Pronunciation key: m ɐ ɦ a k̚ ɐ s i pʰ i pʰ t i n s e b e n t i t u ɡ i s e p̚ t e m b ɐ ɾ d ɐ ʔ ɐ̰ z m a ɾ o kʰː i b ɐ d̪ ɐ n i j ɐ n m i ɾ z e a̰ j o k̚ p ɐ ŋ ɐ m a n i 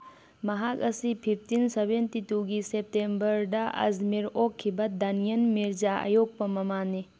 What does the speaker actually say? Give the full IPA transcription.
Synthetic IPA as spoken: m ɐ ɦ a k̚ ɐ s i pʰ i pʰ t i n s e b e n t i t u ɡ i s e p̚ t e m b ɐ ɾ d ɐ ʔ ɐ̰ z m i ɾ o kʰː i b ɐ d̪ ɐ n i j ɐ n m i ɾ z a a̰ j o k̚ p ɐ m ɐ m a n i